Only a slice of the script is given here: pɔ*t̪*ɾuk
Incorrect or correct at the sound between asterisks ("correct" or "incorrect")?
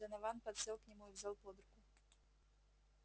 incorrect